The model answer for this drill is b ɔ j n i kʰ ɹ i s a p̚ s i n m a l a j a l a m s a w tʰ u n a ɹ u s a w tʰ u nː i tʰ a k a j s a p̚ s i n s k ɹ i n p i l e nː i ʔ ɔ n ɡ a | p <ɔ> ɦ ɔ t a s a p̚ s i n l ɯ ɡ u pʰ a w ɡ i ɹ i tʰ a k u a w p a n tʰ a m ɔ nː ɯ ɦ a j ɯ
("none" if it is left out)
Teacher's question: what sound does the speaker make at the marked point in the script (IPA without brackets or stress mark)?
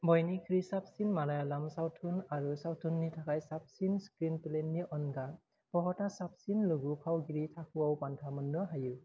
ɔ